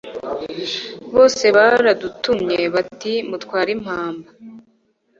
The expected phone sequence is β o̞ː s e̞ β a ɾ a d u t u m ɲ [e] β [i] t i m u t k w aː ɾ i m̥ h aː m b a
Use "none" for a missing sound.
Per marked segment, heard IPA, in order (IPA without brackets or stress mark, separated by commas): e, a